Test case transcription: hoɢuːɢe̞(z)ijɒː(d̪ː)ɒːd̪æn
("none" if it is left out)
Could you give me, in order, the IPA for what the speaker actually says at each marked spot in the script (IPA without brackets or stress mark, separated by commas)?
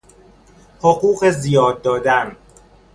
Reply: z, d̪ː